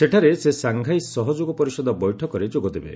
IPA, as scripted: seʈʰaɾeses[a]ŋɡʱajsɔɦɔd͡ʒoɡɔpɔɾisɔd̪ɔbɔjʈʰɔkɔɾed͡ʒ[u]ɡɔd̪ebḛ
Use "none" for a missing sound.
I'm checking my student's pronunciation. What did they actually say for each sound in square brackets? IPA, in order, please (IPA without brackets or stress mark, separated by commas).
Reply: a, o